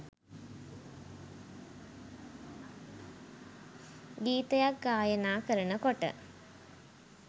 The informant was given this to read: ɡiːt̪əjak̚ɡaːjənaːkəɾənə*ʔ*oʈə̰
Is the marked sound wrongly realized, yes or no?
yes